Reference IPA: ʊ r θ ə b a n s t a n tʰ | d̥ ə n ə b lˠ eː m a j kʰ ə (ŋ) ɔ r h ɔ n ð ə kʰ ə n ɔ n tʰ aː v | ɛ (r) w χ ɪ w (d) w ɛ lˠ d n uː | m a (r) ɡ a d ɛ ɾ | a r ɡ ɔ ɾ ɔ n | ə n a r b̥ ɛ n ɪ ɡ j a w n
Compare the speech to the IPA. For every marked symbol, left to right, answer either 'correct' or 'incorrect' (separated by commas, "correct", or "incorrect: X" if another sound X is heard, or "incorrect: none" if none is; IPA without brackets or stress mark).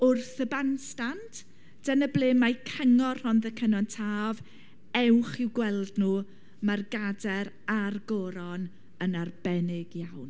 correct, incorrect: none, incorrect: ɡ, correct